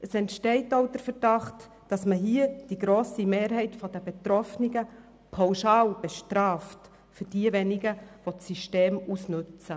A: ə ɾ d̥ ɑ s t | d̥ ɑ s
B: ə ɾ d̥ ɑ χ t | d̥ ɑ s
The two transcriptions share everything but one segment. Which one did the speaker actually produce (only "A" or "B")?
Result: B